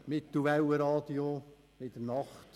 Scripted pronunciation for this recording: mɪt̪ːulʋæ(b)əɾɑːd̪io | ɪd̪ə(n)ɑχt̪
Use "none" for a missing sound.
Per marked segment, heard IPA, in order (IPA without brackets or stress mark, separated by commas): w, n